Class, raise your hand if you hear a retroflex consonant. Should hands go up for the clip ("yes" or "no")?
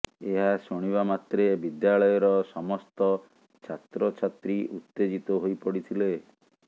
yes